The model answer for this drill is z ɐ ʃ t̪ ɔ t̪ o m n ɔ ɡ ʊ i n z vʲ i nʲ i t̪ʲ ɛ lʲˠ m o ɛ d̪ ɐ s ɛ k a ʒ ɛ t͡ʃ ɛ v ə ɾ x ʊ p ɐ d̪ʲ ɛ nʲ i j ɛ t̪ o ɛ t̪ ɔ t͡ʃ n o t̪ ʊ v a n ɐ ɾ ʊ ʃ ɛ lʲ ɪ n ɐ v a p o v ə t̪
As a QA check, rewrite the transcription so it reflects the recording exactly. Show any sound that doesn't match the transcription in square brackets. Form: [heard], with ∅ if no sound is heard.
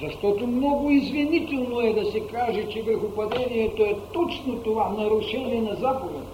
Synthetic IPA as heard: z ɐ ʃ t̪ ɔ t̪ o m n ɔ ɡ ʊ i [∅] z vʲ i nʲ i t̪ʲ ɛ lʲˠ [n] o ɛ d̪ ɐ s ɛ k a ʒ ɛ t͡ʃ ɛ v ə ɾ x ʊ p ɐ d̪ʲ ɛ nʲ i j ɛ t̪ o ɛ t̪ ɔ t͡ʃ n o t̪ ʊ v a n ɐ ɾ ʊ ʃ ɛ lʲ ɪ n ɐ [z] a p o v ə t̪